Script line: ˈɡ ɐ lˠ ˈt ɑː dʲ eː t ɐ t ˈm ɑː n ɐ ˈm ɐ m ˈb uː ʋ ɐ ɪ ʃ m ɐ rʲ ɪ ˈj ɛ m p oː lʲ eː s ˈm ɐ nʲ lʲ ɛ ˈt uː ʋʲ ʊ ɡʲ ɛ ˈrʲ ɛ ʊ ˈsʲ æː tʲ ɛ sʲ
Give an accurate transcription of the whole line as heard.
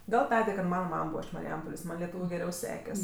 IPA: ˈɡ ɐ lˠ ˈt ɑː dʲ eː k ɐ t ˈm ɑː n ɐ ˈm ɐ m ˈb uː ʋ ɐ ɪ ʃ m ɐ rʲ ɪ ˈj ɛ m p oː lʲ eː s ˈm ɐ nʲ lʲ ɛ ˈt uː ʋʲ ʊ ɡʲ ɛ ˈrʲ ɛ ʊ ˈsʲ æː kʲ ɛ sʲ